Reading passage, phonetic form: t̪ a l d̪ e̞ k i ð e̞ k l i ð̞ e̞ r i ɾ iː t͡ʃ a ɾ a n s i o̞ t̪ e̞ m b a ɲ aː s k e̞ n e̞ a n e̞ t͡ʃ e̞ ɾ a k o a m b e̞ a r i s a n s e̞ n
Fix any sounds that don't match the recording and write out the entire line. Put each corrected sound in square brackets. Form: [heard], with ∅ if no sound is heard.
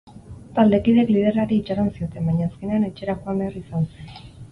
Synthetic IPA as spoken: t̪ a l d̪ e̞ k i ð e̞ k l i ð̞ e̞ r [a] ɾ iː t͡ʃ a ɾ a n s i o̞ t̪ e̞ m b a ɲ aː s k e̞ n e̞ a n e̞ t͡ʃ e̞ ɾ a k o a m b e̞ a r i s a n s e̞ n